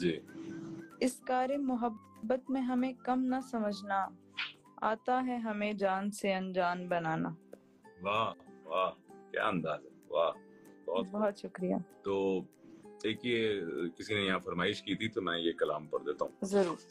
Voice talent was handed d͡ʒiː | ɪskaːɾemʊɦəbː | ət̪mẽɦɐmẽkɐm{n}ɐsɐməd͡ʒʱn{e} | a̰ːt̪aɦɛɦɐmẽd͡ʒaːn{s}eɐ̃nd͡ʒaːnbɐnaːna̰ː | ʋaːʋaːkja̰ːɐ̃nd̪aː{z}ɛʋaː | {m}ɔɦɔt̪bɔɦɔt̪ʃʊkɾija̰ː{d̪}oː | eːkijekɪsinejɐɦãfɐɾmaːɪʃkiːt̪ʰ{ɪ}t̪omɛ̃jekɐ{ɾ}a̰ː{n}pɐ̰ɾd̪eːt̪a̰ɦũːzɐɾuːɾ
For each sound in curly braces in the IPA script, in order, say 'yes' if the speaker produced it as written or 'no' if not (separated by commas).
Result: yes, no, yes, yes, no, no, no, no, no